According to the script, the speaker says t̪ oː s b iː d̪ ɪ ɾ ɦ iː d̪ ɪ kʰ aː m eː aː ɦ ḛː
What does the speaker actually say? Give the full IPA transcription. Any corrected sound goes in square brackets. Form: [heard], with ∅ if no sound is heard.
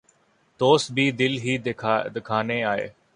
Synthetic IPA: t̪ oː s b iː d̪ ɪ [l] ɦ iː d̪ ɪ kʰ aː [n] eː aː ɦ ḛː